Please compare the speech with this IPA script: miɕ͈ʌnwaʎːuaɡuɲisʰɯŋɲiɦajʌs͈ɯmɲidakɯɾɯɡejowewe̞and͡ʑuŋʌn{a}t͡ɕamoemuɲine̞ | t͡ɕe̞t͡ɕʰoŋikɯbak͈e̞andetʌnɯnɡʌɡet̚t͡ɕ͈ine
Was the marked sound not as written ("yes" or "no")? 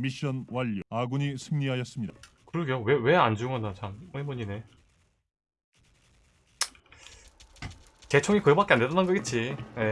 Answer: no